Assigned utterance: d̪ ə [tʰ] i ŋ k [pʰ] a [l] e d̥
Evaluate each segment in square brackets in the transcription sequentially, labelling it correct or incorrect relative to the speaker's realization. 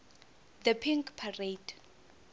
incorrect: pʰ, correct, incorrect: r

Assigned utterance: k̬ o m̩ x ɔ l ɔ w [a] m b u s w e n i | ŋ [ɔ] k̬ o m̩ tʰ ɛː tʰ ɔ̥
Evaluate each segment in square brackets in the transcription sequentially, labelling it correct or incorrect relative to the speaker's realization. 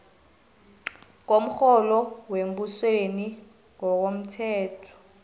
incorrect: e, correct

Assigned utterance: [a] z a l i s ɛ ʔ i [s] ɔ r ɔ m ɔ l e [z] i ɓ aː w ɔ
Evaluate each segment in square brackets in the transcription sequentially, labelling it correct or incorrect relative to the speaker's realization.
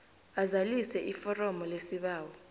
correct, incorrect: f, incorrect: s

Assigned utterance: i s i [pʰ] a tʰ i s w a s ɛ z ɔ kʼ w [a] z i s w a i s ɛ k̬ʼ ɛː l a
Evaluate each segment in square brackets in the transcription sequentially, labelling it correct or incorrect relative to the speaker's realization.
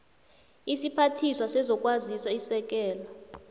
correct, correct

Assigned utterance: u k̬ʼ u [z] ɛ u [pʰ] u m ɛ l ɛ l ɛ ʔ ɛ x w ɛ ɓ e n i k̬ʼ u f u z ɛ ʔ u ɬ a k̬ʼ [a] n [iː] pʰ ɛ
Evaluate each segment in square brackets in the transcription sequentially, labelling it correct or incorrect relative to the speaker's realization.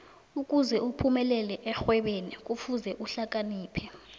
correct, correct, correct, correct

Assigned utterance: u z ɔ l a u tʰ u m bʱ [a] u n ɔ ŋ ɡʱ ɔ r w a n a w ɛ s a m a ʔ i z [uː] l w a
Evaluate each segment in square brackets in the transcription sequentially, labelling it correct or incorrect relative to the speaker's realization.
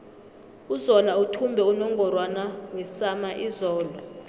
incorrect: ɛ, incorrect: ɔː

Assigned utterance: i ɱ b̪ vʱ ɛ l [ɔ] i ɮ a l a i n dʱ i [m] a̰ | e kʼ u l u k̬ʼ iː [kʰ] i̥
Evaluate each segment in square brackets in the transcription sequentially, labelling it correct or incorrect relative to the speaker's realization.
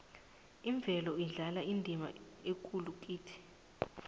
correct, correct, incorrect: tʰ

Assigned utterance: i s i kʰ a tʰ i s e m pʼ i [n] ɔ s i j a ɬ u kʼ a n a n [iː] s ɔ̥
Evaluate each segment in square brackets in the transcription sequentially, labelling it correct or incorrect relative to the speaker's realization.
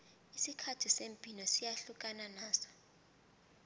correct, incorrect: aː

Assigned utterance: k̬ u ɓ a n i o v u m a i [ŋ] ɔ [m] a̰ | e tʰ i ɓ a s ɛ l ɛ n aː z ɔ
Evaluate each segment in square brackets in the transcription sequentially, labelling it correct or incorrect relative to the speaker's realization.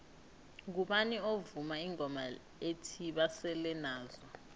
correct, correct

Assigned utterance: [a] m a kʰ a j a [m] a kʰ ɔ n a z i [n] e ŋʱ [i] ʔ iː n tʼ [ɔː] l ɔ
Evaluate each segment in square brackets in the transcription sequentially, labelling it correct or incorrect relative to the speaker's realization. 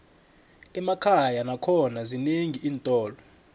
incorrect: ɛ, incorrect: n, correct, correct, correct

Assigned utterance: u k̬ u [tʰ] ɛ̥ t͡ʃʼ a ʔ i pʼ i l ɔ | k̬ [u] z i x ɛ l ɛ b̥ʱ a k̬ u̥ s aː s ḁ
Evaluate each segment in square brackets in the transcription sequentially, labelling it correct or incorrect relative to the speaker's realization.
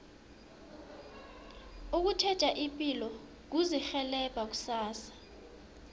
correct, correct

